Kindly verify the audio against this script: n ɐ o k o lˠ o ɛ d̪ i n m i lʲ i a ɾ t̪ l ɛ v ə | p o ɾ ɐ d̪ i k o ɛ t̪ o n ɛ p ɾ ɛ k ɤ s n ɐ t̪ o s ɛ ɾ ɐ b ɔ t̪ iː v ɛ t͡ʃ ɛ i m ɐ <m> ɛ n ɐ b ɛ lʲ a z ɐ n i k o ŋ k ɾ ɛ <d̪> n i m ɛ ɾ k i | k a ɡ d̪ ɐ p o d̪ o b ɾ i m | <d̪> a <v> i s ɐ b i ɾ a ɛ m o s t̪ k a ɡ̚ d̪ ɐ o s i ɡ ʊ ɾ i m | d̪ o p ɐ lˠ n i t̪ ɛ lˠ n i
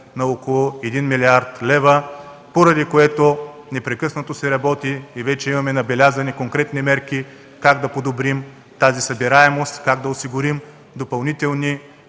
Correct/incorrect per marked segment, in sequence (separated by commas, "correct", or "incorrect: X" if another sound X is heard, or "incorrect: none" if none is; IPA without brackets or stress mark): correct, incorrect: t̪, incorrect: t̪, incorrect: z